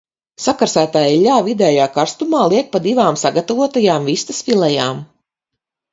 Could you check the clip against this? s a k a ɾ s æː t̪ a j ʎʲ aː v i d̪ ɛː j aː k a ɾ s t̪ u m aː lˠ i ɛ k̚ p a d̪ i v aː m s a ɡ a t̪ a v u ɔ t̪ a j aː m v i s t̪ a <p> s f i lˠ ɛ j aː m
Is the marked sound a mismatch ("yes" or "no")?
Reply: yes